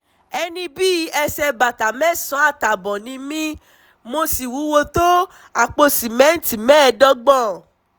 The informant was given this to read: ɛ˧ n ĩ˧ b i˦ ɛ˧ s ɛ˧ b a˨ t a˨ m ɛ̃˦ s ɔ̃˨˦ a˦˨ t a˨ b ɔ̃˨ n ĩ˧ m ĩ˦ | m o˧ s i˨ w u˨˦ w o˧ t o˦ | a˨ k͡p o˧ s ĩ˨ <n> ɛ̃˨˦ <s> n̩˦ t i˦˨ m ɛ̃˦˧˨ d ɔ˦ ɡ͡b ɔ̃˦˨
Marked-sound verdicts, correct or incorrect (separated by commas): incorrect, incorrect